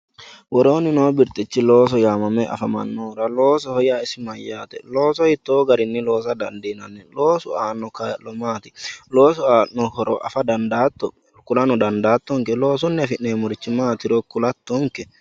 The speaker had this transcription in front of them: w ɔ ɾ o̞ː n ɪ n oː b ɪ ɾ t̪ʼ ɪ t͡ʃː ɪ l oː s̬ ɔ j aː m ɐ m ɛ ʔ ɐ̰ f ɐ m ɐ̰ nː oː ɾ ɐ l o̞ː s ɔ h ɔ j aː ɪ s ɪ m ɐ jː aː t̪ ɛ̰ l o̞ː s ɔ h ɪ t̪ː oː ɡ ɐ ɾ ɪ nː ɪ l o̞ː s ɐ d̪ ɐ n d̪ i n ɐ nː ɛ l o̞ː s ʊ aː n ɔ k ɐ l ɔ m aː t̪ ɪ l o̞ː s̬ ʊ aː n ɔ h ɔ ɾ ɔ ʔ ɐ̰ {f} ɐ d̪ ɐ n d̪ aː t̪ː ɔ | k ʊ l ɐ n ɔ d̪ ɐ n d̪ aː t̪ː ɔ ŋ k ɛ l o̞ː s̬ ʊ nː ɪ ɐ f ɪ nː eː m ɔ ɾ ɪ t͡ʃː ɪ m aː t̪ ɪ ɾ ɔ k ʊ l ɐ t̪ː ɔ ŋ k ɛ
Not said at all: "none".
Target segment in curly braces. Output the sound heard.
f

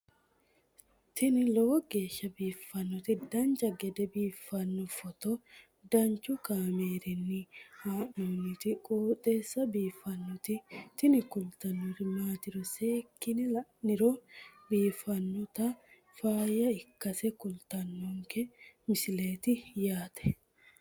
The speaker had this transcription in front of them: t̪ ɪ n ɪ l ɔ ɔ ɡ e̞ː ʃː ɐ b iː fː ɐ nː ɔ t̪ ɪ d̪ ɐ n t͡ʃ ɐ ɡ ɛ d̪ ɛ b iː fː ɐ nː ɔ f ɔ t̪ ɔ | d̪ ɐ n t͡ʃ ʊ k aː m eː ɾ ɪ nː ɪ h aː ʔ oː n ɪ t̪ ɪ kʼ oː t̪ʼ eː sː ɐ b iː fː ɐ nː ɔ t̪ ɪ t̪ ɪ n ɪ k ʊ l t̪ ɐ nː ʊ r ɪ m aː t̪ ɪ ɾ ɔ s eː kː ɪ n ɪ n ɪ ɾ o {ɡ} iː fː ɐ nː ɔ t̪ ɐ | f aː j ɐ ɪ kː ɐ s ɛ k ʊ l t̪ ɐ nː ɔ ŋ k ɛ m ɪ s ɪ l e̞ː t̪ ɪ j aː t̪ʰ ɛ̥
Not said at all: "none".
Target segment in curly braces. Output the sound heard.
b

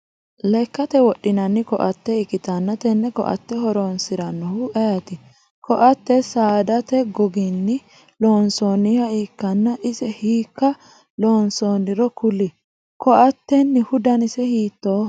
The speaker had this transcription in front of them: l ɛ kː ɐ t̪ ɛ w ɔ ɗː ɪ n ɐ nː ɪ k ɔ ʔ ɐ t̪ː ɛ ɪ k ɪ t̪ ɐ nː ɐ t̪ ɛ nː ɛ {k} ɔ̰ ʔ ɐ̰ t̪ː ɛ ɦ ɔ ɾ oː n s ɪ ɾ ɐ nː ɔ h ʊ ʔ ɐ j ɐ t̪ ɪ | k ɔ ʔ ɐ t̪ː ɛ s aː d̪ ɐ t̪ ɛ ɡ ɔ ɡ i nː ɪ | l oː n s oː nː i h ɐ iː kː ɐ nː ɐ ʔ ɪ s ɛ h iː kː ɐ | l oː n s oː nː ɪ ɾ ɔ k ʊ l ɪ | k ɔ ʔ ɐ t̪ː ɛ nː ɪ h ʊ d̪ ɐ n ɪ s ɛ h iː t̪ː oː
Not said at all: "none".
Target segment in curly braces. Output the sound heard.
k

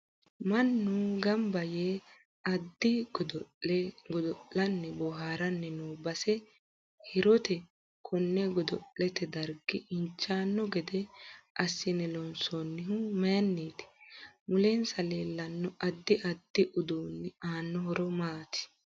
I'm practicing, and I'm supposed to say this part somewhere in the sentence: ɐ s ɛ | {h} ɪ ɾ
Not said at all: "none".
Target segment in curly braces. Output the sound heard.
h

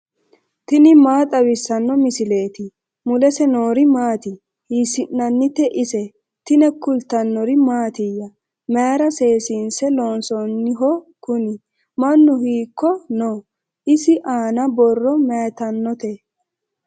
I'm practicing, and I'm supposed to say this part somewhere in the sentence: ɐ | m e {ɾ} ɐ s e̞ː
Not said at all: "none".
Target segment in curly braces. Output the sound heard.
ɾ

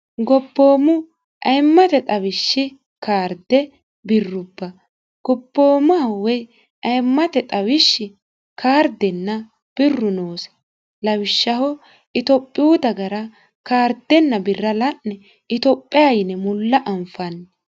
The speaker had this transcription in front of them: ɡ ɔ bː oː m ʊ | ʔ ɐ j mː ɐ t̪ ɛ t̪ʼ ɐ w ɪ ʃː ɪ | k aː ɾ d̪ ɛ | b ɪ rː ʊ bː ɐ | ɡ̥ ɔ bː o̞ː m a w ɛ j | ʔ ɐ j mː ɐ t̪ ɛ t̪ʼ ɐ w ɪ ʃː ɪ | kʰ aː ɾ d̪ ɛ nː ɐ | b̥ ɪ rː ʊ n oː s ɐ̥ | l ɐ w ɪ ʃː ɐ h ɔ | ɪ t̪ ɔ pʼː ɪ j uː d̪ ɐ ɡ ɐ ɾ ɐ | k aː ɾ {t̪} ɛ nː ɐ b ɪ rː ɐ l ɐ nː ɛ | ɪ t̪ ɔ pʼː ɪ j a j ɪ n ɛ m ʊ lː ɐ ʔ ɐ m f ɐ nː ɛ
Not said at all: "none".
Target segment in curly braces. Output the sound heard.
d̪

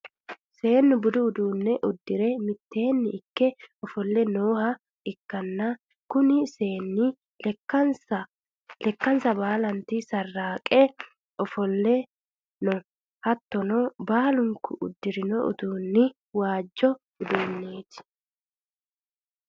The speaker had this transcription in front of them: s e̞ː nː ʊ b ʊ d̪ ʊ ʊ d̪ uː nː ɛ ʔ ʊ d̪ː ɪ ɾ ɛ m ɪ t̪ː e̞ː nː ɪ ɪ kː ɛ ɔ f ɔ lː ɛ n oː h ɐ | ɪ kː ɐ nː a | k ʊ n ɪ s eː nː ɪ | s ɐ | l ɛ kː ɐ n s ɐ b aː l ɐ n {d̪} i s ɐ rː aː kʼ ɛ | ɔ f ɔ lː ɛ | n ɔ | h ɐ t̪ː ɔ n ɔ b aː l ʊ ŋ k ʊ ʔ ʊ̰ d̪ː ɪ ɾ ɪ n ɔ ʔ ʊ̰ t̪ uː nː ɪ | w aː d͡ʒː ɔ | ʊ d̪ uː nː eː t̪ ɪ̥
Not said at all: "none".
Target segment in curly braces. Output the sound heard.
t̪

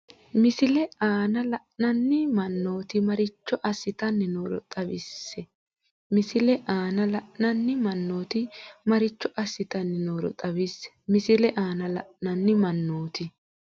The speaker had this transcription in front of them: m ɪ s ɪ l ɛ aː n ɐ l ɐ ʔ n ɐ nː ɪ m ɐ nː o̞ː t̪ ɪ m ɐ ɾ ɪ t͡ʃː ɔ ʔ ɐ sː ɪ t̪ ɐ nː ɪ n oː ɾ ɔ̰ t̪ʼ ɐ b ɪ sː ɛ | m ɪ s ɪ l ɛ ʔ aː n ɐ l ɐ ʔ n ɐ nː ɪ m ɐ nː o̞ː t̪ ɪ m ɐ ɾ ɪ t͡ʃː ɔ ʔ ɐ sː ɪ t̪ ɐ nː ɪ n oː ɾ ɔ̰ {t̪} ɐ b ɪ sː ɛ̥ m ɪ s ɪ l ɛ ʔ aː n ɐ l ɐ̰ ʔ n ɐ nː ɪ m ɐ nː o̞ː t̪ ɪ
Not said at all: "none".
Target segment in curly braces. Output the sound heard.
t̪ʼ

